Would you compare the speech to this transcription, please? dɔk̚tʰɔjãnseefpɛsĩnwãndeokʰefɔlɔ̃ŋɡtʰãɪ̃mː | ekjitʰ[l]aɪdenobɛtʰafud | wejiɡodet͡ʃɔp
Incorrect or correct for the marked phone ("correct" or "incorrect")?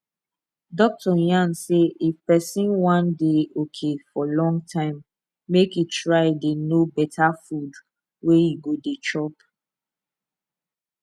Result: incorrect